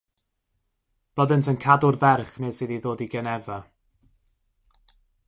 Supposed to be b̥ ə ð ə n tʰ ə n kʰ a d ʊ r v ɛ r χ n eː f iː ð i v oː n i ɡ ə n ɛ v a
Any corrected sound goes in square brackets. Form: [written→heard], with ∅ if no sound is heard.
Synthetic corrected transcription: b̥ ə ð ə n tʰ ə n kʰ a d ʊ r v ɛ r χ n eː [f→s] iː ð i [v→ð] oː [n→d] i ɡ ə n ɛ v a